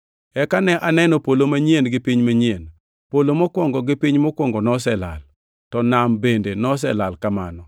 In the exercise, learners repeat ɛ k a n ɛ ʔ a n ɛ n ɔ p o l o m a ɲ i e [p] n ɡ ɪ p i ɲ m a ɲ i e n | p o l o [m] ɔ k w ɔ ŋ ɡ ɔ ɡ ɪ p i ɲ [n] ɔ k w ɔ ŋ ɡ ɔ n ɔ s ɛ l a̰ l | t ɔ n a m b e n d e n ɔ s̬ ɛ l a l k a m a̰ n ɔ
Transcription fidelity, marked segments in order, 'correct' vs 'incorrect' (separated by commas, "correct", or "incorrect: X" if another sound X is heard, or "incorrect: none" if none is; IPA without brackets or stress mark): incorrect: none, correct, incorrect: m